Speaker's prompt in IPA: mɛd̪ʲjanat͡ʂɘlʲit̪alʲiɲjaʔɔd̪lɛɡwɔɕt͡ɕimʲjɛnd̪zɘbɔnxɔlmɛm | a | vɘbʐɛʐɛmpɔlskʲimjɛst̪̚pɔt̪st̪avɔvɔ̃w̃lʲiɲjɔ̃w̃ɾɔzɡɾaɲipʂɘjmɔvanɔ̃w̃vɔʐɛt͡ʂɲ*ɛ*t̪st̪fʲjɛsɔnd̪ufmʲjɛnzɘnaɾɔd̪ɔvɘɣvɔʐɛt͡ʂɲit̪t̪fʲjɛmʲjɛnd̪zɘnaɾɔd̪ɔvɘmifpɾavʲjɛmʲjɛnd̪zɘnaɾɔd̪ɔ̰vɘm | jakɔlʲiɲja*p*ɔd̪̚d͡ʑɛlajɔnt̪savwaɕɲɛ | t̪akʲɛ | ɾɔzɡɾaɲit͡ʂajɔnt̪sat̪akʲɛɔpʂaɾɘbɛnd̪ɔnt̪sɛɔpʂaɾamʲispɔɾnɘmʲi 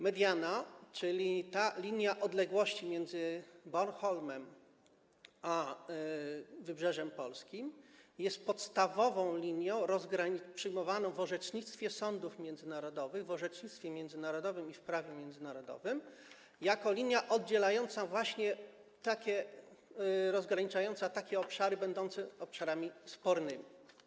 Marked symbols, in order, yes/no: no, no

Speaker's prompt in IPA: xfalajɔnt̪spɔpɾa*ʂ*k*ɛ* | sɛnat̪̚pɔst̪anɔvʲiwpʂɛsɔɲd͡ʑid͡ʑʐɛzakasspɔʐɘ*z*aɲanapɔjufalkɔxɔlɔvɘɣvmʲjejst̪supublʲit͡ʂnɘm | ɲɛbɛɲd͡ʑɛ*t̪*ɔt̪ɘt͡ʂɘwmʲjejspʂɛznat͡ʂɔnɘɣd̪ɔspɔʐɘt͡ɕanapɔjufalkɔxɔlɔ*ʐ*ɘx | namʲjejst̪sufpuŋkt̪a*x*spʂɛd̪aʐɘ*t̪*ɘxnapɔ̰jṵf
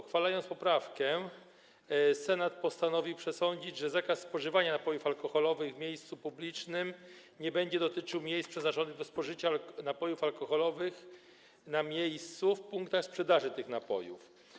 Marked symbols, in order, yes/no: no, yes, no, no, no, yes, yes

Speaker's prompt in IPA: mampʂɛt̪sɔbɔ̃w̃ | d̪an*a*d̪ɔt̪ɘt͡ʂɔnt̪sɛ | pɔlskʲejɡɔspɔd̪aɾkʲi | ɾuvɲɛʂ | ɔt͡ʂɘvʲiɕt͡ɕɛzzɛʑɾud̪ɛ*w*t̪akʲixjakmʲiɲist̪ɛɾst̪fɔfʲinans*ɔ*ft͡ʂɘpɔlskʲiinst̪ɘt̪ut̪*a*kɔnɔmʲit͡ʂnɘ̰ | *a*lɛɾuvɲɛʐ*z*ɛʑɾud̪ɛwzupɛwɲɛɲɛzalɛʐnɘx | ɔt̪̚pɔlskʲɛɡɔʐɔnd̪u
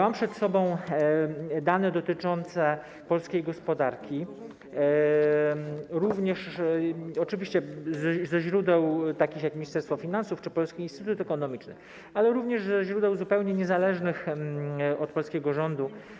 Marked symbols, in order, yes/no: no, yes, no, no, yes, yes

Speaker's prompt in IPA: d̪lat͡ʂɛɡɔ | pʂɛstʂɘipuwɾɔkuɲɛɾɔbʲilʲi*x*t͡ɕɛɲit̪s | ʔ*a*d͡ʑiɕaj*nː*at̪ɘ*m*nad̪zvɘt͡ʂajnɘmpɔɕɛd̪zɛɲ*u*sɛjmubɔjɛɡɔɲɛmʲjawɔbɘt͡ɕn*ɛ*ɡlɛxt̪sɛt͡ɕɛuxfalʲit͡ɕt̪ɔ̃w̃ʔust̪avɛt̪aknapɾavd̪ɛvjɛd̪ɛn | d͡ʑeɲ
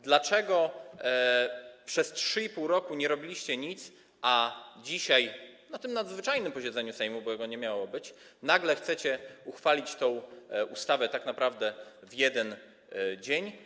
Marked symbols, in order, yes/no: no, yes, no, yes, yes, no

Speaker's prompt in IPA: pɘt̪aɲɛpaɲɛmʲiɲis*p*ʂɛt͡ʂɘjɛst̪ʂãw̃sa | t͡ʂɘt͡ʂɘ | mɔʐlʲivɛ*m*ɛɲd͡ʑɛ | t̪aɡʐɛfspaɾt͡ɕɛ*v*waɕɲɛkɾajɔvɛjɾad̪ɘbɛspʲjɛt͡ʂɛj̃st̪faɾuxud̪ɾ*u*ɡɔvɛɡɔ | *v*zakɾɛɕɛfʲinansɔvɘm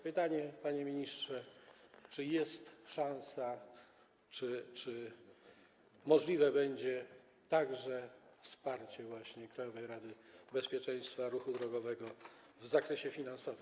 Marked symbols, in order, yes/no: no, no, yes, no, yes

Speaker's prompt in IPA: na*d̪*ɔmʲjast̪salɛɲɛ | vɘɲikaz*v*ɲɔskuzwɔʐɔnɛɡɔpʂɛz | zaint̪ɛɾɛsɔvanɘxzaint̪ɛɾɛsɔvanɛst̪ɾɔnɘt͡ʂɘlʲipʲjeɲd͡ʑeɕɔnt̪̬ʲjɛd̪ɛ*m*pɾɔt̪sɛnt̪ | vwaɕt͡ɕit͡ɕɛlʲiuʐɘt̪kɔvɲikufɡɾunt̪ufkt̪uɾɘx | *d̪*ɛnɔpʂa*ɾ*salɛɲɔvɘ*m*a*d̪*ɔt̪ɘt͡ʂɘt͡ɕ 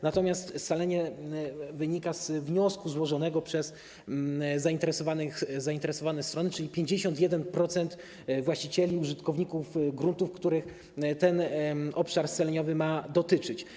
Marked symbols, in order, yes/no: no, yes, no, no, yes, yes, yes

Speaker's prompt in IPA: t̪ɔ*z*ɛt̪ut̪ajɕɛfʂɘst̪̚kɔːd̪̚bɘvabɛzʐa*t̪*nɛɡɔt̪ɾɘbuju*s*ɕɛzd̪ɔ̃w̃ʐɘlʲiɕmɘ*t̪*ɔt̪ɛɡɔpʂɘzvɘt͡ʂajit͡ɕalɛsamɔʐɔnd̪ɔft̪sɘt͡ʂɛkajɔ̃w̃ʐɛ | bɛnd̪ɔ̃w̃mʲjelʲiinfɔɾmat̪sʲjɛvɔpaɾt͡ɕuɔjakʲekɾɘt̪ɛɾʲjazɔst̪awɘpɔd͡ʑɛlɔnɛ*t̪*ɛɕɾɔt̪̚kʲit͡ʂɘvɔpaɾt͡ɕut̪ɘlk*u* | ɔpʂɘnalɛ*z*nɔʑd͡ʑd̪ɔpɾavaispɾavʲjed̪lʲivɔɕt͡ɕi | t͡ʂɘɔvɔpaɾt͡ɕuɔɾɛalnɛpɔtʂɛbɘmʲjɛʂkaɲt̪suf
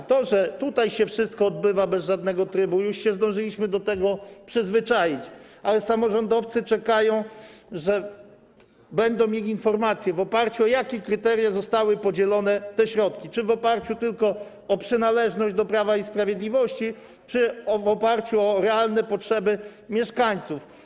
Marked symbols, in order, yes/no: no, no, no, no, yes, no, no

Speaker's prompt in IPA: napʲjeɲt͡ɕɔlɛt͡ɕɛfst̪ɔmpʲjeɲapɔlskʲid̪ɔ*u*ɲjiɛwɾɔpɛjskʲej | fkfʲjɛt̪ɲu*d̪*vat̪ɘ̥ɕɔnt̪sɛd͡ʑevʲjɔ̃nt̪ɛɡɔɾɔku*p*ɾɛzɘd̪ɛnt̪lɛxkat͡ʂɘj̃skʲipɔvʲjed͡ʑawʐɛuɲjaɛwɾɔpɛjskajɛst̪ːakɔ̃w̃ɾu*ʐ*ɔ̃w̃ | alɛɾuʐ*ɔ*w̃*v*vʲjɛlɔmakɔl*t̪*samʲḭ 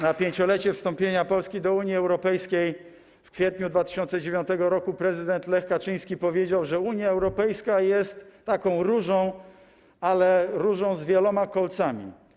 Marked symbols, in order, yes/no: yes, yes, yes, yes, no, no, yes

